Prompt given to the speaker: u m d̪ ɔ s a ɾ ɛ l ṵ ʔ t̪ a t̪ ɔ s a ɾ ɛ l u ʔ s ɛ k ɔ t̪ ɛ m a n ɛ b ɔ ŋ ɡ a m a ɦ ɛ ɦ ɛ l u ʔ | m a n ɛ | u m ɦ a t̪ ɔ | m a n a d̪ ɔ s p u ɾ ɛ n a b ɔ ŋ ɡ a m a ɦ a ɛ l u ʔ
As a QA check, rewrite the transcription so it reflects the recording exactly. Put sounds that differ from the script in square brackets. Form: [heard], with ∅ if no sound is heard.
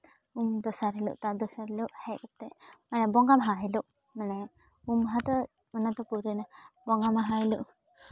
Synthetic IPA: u m d̪ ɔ s a ɾ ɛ l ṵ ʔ t̪ a [d̪] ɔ s a ɾ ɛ l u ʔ [h] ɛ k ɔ t̪ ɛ m a n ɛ b ɔ ŋ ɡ a m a ɦ [a] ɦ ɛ l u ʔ | m a n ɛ | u m ɦ a t̪ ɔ | m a n a [t̪] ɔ [∅] p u ɾ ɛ n a b ɔ ŋ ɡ a m a ɦ a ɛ l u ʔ